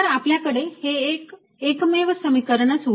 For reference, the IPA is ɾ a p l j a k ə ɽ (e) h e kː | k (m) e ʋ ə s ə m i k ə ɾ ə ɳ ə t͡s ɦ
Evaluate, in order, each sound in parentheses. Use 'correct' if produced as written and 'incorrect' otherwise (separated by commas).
correct, correct